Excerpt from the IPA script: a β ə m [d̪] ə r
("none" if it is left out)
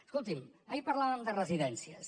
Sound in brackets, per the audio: d̪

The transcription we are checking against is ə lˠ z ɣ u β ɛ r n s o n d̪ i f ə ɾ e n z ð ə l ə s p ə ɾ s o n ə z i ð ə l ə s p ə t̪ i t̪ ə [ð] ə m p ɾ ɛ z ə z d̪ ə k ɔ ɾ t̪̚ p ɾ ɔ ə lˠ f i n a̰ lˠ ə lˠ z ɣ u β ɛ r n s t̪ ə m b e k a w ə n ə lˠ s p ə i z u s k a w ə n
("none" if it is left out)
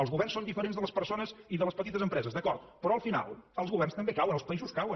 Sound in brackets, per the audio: z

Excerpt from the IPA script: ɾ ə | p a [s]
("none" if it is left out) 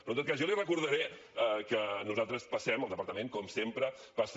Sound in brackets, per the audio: s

